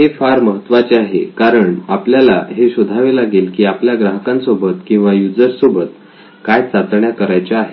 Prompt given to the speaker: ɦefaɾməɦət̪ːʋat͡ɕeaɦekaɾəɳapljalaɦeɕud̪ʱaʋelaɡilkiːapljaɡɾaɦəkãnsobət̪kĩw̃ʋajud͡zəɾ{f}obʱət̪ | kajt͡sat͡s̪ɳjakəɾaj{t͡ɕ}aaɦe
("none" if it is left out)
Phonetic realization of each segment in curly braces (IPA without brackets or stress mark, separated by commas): s, t͡ɕ